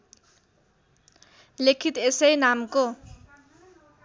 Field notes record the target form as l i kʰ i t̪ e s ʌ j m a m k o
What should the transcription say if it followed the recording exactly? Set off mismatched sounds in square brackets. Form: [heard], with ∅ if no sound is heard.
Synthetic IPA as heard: l [e] kʰ i t̪ e s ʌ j [n] a m k o